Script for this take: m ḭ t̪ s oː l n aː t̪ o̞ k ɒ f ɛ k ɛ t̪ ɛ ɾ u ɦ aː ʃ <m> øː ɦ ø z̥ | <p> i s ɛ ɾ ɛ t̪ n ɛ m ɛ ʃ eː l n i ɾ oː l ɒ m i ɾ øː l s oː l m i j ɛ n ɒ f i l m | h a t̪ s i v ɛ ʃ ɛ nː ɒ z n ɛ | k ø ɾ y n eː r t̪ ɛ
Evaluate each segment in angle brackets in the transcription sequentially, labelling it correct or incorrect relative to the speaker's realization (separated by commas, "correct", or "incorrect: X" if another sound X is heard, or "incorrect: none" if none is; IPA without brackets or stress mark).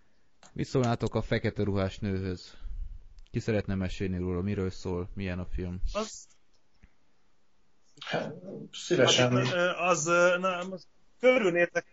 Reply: incorrect: n, incorrect: k